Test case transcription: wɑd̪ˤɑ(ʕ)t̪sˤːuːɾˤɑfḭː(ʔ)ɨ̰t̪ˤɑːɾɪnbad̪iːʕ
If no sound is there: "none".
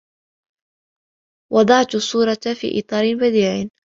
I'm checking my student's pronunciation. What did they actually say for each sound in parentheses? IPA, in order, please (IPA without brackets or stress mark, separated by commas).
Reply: ʕ, ʔ